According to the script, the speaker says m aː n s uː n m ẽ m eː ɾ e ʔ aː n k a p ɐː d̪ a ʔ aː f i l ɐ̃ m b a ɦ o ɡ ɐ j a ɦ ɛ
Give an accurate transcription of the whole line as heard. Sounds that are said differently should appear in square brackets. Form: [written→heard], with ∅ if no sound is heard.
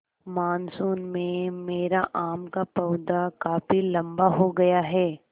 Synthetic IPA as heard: m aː n s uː n m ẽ m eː ɾ [e→a] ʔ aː [n→m] k a p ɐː d̪ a [ʔ→k] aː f i l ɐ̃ m b a ɦ o ɡ ɐ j a ɦ [ɛ→ɛː]

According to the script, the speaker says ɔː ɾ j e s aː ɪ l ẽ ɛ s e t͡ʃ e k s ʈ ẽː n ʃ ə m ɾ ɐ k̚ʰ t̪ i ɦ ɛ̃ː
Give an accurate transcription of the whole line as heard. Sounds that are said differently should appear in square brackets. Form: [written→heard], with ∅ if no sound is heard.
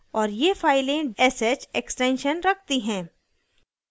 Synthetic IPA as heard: ɔː ɾ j e [s→f] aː ɪ l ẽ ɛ s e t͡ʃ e k s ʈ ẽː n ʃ ə [m→n] ɾ ɐ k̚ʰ t̪ i ɦ ɛ̃ː

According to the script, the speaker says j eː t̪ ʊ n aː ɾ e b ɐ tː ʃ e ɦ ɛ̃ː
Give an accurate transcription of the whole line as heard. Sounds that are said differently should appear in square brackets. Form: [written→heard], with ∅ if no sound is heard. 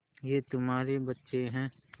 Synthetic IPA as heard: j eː t̪ ʊ [n→m] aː ɾ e b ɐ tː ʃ e ɦ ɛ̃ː

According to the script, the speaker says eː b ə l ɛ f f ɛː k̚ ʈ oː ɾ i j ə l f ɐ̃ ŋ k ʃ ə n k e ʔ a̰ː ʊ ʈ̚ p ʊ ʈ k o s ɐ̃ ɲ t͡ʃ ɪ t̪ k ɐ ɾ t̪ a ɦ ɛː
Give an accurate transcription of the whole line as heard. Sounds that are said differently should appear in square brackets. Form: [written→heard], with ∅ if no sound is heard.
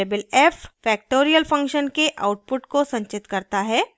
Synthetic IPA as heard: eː b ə l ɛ f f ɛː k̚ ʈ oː ɾ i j ə l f ɐ̃ ŋ k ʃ ə n k e ʔ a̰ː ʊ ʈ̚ p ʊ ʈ k o s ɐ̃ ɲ t͡ʃ ɪ t̪ k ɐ ɾ t̪ a ɦ ɛː

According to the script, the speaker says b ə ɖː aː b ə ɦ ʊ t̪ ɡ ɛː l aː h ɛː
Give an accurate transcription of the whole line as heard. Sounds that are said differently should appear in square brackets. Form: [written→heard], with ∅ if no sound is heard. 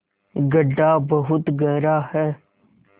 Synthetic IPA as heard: [b→ɡ] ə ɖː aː b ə ɦ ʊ t̪ ɡ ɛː [l→ɾ] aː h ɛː

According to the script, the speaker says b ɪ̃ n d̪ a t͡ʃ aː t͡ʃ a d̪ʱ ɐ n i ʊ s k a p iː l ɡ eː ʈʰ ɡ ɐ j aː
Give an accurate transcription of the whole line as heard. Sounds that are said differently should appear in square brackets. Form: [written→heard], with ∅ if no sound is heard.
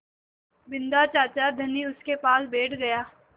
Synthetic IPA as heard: b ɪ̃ n d̪ a t͡ʃ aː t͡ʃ a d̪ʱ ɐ n i ʊ s k [a→e] p [iː→aː] l [ɡ→b] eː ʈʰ ɡ ɐ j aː

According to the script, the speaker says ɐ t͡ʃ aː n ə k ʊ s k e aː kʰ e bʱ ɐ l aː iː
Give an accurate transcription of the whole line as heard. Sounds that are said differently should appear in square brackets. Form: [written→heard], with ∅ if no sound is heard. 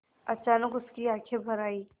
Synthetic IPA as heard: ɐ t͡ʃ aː n ə k ʊ s k [e→i] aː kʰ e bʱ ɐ [l→ɾ] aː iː

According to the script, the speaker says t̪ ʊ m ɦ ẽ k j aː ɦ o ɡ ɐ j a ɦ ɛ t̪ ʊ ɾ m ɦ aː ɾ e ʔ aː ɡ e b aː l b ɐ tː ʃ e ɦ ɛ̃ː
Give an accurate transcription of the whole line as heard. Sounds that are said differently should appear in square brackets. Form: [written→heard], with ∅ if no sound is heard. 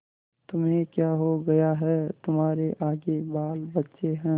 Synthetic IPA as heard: t̪ ʊ m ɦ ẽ k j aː ɦ o ɡ ɐ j a ɦ ɛ t̪ ʊ [ɾ→∅] m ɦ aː ɾ e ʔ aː ɡ e b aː l b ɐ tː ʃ e ɦ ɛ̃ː

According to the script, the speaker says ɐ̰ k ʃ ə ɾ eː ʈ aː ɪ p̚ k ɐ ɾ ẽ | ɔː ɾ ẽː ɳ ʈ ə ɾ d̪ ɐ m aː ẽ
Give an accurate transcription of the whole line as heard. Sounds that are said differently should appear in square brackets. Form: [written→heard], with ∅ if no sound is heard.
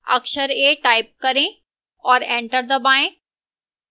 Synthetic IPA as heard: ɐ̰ k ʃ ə ɾ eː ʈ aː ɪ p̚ k ɐ ɾ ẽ | ɔː ɾ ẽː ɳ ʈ ə ɾ d̪ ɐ [m→b] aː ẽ

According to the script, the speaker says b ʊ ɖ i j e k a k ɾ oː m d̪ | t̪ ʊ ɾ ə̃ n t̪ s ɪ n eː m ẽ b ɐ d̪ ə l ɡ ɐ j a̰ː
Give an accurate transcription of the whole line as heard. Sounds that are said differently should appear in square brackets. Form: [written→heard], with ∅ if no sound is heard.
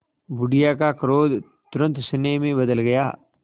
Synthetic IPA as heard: b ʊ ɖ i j [e→a] k a k ɾ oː [m→∅] d̪ | t̪ ʊ ɾ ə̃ n t̪ s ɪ n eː m ẽ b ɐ d̪ ə l ɡ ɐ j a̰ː

